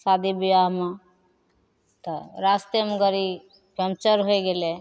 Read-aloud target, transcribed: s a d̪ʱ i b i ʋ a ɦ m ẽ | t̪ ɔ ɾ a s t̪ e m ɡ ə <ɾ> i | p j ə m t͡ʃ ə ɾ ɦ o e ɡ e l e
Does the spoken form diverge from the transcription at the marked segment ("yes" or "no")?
no